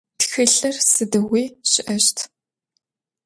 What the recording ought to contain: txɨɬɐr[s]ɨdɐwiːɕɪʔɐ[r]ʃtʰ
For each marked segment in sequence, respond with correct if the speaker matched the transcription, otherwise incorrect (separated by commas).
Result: correct, incorrect